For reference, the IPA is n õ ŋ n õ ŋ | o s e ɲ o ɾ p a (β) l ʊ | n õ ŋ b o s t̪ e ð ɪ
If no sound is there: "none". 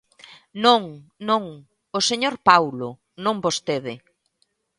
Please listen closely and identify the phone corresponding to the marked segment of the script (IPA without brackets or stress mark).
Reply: w